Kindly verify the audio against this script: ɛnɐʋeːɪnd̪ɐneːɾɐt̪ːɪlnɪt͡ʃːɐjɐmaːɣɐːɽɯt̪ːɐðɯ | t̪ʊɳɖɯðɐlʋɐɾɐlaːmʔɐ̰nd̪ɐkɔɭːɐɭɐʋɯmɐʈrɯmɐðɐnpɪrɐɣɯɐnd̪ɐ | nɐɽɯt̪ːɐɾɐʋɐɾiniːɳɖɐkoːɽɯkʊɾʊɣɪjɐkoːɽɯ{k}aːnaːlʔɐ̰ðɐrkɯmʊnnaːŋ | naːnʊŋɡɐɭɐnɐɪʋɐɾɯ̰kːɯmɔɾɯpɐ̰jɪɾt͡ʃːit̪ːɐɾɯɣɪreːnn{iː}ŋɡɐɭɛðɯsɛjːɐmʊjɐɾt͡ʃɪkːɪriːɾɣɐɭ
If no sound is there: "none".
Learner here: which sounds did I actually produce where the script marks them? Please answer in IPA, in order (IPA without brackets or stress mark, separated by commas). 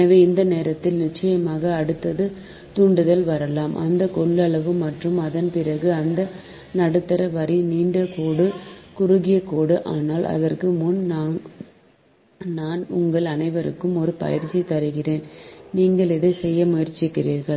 ʔ, iː